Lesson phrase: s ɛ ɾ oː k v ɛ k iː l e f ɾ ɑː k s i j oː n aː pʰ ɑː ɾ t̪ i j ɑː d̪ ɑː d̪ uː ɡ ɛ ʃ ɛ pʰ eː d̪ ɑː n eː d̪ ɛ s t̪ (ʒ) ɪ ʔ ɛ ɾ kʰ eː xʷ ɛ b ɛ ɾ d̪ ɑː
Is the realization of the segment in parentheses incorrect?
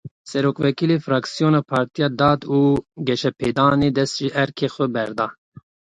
no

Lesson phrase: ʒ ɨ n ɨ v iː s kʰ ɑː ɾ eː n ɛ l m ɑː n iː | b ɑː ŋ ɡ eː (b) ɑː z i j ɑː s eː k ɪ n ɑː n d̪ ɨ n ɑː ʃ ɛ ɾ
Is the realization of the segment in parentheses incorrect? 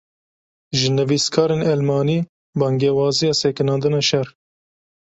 yes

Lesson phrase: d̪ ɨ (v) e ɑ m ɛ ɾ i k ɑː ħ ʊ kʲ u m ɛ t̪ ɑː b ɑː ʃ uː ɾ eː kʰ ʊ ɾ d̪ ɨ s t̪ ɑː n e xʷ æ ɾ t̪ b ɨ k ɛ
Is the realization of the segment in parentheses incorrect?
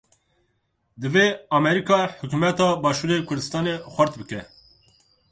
no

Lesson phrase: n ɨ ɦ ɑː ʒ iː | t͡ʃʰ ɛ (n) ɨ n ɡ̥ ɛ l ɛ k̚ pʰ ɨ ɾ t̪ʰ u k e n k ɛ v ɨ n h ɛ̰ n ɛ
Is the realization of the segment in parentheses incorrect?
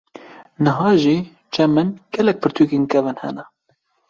yes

